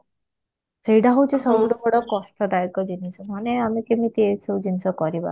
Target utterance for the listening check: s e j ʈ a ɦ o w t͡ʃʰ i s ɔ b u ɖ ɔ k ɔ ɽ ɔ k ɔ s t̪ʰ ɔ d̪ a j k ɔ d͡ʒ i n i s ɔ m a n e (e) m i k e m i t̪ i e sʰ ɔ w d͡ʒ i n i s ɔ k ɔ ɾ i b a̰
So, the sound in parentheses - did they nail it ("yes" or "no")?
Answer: no